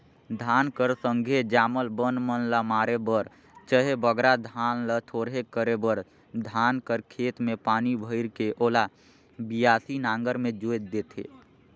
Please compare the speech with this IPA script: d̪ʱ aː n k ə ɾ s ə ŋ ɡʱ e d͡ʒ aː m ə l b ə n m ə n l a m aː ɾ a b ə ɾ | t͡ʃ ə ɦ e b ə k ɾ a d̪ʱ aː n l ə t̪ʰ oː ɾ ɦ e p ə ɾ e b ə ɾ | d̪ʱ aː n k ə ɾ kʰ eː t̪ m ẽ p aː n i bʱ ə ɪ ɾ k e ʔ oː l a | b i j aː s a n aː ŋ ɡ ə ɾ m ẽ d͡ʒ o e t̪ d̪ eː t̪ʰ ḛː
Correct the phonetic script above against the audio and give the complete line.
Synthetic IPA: d̪ʱ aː n k ə ɾ s ə ŋ ɡʱ e d͡ʒ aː m ə l b ə n m ə n l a m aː ɾ e b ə ɾ | t͡ʃ ə ɦ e b ə ɡ ɾ a d̪ʱ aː n l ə t̪ʰ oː ɾ ɦ e k ə ɾ e b ə ɾ | d̪ʱ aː n k ə ɾ kʰ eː t̪ m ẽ p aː n i bʱ ə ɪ ɾ k e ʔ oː l a | b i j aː s i n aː ŋ ɡ ə ɾ m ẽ d͡ʒ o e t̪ d̪ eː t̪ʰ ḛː